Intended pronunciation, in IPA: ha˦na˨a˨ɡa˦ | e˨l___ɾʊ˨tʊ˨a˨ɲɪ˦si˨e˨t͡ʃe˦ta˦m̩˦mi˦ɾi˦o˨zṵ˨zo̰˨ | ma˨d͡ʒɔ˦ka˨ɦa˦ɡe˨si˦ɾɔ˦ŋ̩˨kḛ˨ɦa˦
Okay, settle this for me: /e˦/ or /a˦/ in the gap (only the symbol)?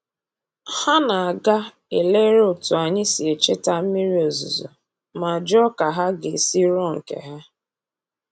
e˦